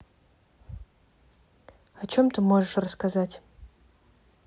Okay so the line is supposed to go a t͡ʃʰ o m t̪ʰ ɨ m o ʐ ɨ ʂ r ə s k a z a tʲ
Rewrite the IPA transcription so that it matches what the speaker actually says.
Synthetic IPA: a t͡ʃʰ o m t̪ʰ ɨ m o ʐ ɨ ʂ r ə s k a z a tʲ

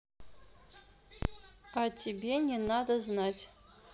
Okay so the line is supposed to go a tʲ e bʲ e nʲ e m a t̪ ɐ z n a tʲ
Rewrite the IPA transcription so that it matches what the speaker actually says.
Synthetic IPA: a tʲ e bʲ e nʲ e n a d̪ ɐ z n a tʲ

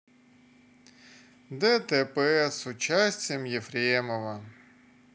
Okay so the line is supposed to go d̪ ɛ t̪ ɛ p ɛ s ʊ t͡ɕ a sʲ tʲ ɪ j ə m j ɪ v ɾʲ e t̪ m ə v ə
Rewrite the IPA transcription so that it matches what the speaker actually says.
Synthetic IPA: d̪ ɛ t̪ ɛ p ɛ s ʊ t͡ɕ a sʲ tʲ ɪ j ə m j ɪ f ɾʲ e m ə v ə

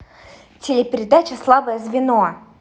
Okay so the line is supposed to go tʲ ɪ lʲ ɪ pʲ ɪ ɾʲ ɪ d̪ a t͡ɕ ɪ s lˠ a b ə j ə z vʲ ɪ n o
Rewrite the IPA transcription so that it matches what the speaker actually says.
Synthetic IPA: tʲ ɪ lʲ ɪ pʲ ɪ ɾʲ ɪ d̪ a t͡ɕ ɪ s lˠ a b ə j ə z vʲ ɪ n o

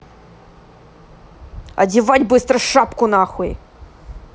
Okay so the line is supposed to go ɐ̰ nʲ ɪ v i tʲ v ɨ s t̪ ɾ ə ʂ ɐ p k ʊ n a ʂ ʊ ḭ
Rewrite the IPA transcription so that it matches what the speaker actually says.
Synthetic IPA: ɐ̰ dʲ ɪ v a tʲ b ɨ s t̪ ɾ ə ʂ a p k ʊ n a x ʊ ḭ

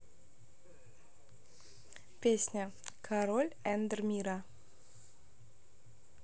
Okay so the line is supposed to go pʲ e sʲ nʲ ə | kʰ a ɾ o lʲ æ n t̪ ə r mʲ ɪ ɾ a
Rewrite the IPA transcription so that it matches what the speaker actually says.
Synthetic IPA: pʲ e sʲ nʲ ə | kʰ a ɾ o lʲ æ n d̪ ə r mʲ i ɾ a

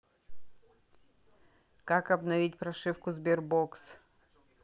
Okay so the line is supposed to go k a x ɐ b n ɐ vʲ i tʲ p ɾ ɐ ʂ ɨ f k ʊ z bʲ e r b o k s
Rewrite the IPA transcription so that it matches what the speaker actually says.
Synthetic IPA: k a k ɐ b n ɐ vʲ i tʲ p ɾ ɐ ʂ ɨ f k ʊ z bʲ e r b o k s

